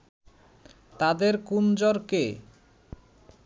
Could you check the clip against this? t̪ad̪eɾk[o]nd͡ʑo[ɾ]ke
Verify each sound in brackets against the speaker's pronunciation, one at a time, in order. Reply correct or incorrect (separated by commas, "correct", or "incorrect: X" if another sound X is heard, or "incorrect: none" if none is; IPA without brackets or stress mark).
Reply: incorrect: u, correct